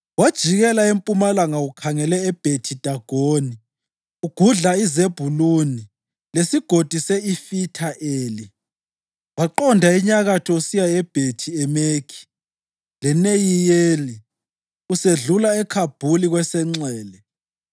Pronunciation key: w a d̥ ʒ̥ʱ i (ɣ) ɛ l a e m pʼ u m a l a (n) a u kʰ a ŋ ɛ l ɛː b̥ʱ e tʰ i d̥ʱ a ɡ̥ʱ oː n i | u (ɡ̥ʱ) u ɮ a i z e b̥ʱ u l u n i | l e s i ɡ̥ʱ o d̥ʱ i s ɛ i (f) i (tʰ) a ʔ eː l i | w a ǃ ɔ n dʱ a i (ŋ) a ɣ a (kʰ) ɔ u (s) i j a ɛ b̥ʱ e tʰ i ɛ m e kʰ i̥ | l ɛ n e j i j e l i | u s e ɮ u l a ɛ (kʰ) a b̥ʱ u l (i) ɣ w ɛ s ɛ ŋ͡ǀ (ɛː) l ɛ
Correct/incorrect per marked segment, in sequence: correct, incorrect: ŋ, correct, correct, correct, incorrect: ɲ, incorrect: tʰ, correct, correct, correct, correct

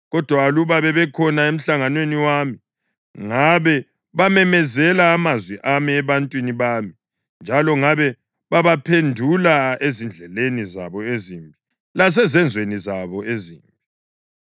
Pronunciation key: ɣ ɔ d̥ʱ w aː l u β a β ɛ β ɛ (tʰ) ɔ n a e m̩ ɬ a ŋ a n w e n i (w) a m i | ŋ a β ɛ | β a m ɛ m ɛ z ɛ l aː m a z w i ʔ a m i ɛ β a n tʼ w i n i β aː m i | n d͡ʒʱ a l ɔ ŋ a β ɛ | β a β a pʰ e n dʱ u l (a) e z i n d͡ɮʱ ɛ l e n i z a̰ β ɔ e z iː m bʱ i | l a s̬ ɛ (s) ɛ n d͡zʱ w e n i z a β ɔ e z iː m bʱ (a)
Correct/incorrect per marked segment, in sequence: incorrect: kʰ, correct, correct, incorrect: z, incorrect: i

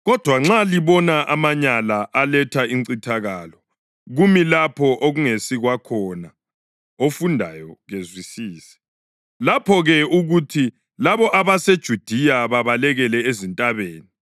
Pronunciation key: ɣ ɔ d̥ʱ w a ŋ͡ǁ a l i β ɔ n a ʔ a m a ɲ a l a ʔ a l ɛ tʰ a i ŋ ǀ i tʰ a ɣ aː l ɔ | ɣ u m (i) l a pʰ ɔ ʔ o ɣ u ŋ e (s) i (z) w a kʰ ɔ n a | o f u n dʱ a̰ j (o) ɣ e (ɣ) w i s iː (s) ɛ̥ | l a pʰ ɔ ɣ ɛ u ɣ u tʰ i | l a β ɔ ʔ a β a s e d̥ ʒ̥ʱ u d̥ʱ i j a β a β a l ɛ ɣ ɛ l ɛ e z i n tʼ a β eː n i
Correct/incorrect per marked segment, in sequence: correct, correct, incorrect: ɣ, incorrect: ɔ, incorrect: z, correct

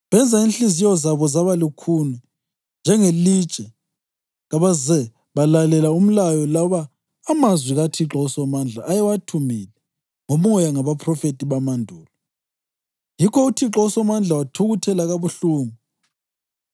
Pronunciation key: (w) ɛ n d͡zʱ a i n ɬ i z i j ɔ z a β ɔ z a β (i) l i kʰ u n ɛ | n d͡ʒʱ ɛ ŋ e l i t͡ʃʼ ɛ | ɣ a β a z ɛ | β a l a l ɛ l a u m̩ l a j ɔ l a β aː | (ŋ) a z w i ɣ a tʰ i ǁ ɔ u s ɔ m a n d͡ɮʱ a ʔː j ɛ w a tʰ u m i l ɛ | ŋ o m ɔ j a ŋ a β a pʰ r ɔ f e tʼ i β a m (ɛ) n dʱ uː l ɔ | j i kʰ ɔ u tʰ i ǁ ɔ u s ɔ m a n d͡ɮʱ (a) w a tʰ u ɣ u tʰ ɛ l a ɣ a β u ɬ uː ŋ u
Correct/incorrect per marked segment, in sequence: incorrect: β, incorrect: a, incorrect: m, incorrect: a, correct

